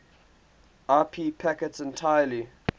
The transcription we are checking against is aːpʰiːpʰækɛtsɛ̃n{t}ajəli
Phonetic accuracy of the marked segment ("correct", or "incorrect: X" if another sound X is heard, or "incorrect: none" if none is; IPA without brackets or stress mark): incorrect: tʰ